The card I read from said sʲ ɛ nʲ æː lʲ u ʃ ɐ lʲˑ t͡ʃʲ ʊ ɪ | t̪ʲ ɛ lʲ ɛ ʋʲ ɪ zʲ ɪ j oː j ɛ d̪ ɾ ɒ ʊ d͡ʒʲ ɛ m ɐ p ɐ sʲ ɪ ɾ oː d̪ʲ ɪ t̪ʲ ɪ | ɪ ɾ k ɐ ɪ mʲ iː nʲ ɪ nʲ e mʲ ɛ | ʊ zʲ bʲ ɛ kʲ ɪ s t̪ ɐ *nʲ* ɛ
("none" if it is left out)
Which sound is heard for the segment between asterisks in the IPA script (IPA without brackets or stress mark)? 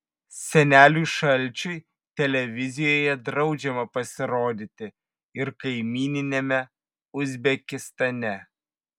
nʲ